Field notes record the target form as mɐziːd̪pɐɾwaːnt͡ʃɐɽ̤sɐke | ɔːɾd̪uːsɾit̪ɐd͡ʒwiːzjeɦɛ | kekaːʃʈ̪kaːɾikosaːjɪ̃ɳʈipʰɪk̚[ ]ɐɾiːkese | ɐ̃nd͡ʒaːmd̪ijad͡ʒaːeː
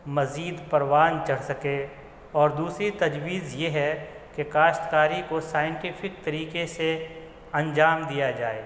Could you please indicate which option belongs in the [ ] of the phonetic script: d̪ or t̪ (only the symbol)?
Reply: t̪